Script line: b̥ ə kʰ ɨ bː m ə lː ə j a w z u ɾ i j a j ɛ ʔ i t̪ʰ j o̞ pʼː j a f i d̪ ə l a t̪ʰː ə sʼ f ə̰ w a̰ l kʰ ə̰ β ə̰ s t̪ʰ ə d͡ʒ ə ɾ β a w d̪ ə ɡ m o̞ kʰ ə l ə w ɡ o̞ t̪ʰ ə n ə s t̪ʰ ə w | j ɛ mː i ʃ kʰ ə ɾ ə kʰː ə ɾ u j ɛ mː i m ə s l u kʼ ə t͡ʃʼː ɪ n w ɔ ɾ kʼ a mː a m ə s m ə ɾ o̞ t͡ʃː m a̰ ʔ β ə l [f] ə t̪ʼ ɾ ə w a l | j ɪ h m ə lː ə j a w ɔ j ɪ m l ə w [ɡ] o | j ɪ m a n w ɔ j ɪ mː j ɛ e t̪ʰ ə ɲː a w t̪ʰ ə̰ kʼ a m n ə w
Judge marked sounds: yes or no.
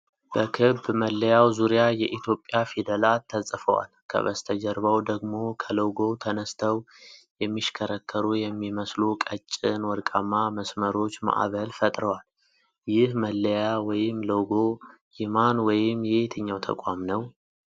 yes, yes

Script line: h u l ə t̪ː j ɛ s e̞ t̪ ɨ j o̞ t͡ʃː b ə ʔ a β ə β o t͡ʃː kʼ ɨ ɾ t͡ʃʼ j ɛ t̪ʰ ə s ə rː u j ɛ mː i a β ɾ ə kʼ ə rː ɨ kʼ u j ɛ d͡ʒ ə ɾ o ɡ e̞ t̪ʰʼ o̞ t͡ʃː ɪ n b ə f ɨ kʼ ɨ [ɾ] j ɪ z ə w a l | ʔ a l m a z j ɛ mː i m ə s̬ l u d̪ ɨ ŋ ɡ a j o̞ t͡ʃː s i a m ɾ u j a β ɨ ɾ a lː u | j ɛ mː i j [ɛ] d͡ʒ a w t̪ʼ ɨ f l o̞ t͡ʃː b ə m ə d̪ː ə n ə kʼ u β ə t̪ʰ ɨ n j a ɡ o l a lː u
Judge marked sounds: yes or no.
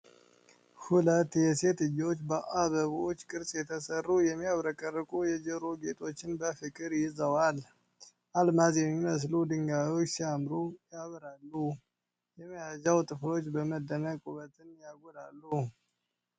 yes, no

